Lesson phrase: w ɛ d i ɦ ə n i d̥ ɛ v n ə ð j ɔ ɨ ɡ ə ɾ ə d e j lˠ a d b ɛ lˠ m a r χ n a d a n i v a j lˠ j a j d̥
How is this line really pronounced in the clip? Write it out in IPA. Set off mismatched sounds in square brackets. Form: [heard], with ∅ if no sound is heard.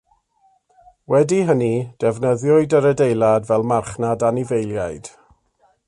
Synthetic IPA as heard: w ɛ d i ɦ ə n i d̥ ɛ v n ə ð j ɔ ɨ [d] ə ɾ ə d e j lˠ a d [v] ɛ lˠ m a r χ n a d a n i v [e] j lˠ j a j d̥